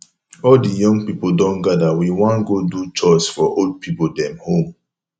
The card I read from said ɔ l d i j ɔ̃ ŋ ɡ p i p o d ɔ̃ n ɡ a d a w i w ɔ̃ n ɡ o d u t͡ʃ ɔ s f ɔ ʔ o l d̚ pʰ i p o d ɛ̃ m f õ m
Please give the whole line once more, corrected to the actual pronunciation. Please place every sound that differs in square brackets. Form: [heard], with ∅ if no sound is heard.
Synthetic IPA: ɔ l d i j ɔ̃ ŋ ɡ p i p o d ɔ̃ n ɡ a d a w i w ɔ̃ n ɡ o d u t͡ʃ ɔ s f ɔ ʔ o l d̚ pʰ i p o d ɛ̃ m [h] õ m